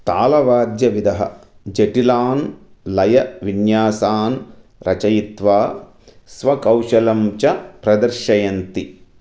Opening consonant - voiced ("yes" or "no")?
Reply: no